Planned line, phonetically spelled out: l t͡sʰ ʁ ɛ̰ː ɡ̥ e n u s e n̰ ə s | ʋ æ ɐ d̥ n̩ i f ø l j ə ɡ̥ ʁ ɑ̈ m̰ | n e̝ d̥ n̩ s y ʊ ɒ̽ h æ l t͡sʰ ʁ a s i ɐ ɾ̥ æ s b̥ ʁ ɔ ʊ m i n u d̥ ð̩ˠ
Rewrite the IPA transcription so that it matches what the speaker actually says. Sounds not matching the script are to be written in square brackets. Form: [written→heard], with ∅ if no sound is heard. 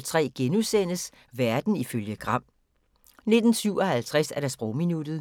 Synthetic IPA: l t͡sʰ ʁ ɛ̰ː ɡ̥ e n u s e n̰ ə s | ʋ æ ɐ d̥ n̩ i f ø l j ə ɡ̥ ʁ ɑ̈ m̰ | n e̝ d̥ n̩ s y ʊ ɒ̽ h æ l t͡sʰ ʁ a s [i→æ] ɐ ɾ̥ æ s b̥ ʁ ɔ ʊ m i n u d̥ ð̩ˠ